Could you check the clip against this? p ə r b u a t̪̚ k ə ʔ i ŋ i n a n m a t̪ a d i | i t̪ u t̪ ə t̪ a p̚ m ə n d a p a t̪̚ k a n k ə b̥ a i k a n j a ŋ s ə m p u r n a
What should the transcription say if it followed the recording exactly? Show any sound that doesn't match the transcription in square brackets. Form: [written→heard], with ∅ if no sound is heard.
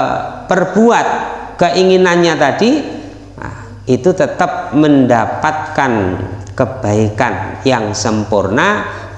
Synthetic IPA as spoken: p ə r b u a t̪̚ k ə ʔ i ŋ i n a n [m→ɲ] a t̪ a d i | i t̪ u t̪ ə t̪ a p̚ m ə n d a p a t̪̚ k a n k ə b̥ a i k a n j a ŋ s ə m p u r n a